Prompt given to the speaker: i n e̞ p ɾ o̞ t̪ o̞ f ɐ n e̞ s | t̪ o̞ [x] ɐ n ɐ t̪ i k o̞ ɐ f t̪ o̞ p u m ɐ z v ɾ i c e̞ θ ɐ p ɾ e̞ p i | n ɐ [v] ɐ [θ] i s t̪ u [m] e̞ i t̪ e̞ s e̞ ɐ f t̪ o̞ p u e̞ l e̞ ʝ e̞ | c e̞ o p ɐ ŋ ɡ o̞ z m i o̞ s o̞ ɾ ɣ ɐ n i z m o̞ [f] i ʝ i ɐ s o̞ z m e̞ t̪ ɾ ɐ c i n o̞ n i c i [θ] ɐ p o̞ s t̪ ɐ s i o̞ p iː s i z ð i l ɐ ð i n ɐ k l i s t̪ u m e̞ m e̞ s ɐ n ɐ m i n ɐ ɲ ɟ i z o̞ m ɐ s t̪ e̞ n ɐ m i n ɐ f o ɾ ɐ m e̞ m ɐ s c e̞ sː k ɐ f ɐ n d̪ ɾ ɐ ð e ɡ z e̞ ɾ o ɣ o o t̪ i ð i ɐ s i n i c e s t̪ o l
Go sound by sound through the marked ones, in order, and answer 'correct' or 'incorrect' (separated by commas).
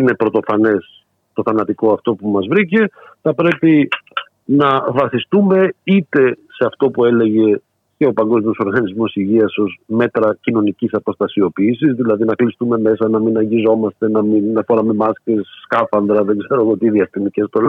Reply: incorrect, correct, correct, correct, incorrect, incorrect